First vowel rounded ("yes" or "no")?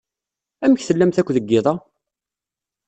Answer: no